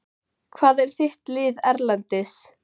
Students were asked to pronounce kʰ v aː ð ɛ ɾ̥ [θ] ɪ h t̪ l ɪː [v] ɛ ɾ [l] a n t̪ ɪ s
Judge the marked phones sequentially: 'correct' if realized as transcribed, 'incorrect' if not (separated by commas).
correct, incorrect, correct